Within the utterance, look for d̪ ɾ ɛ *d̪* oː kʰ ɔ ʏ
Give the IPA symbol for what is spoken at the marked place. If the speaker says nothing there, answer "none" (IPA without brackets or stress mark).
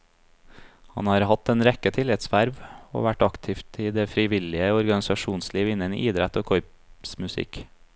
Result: t̪